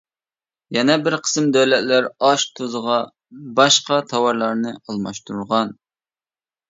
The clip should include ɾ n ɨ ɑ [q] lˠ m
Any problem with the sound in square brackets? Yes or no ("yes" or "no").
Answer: yes